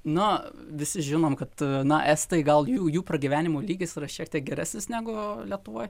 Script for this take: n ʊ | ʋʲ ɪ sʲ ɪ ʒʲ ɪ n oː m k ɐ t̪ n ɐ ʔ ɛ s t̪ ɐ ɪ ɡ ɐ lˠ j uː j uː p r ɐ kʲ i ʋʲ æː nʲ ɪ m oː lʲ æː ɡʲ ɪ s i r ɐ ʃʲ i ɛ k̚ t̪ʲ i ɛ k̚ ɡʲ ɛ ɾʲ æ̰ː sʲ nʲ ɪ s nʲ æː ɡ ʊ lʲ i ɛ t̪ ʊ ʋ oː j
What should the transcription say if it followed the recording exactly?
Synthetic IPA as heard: n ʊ | ʋʲ ɪ sʲ ɪ ʒʲ ɪ n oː m k ɐ t̪ n ɐ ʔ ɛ s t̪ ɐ ɪ ɡ ɐ lˠ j uː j uː p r ɐ ɡʲ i ʋʲ æː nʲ ɪ m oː lʲ iː ɡʲ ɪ s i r ɐ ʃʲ i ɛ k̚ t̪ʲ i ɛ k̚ ɡʲ ɛ ɾʲ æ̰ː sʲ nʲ ɪ s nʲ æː ɡ ʊ lʲ i ɛ t̪ ʊ ʋ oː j